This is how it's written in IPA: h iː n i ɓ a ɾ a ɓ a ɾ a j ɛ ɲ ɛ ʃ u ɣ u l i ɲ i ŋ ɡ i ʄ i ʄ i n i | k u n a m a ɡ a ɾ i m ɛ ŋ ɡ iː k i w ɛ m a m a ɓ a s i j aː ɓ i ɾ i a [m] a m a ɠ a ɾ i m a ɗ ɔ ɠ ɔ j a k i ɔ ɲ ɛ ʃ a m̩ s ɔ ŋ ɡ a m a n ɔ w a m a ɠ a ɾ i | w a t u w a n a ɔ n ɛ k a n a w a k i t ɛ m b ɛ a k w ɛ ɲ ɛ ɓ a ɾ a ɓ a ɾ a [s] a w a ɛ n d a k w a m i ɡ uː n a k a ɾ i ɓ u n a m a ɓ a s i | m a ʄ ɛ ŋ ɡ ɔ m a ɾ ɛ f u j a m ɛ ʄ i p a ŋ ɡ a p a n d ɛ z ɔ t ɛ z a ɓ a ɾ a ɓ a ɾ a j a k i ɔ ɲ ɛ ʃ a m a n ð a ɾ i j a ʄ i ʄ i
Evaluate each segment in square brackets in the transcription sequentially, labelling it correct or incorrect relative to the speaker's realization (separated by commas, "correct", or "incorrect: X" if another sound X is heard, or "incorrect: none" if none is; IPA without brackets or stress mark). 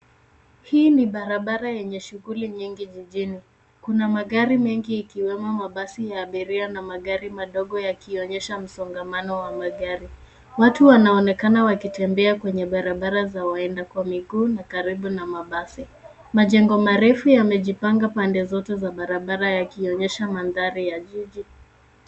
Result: incorrect: n, incorrect: z